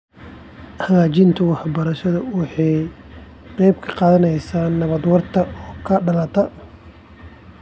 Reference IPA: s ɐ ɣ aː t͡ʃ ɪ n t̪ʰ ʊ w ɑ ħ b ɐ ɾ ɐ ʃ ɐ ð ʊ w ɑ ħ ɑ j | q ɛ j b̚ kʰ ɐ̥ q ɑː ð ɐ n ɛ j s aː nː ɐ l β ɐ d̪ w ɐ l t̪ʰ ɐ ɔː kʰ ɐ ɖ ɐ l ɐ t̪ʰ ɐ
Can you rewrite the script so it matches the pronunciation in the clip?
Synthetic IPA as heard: h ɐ ɣ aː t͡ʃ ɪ n t̪ʰ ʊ w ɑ ħ b ɐ ɾ ɐ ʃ ɐ ð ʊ w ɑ ħ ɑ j | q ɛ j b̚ kʰ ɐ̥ q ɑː ð ɐ n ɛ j s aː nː ɐ β ɐ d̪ w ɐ r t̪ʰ ɐ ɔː kʰ ɐ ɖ ɐ l ɐ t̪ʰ ɐ